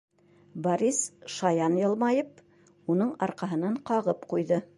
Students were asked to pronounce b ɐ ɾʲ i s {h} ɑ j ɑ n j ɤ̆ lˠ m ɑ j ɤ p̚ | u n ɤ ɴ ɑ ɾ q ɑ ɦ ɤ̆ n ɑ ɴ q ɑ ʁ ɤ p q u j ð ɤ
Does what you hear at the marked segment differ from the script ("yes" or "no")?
yes